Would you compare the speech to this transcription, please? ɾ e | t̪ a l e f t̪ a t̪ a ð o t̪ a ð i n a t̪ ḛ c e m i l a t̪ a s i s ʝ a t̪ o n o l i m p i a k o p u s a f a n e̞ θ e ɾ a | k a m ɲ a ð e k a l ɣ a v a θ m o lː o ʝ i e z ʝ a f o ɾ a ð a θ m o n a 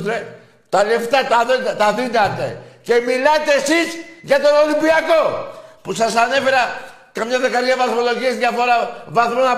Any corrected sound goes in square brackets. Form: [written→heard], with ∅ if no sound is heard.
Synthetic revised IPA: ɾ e | t̪ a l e f t̪ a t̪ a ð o t̪ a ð i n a t̪ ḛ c e m i l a t̪ [a→e] s i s ʝ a t̪ o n o l i m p i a k o p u s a [f→s] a n e̞ [θ→f] e ɾ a | k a m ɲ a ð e k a [l→ɾ] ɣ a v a θ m o [lː→l] o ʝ i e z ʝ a f o ɾ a [ð→v] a θ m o n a